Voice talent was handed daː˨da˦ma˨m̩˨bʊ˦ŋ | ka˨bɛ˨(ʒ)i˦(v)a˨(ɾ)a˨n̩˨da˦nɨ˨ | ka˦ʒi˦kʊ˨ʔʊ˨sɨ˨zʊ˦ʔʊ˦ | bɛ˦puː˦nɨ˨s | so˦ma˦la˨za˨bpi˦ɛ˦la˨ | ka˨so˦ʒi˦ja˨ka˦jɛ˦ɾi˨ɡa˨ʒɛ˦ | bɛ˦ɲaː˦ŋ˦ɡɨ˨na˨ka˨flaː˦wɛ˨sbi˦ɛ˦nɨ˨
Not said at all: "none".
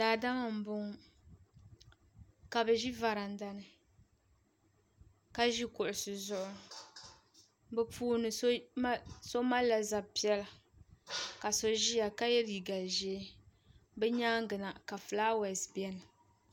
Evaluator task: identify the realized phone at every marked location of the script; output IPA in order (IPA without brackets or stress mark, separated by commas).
ʒ, v, ɾ